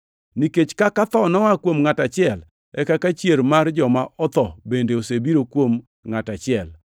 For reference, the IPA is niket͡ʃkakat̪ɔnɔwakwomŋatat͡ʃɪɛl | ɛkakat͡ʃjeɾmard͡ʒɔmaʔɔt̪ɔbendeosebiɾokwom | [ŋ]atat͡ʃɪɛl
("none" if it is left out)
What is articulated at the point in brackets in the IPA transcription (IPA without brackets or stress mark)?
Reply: ŋ